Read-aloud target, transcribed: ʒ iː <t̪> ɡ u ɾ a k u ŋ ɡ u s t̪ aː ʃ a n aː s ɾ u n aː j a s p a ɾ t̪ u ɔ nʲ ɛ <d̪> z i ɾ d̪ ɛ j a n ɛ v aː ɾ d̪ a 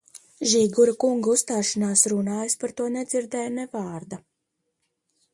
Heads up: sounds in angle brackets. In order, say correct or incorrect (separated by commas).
incorrect, correct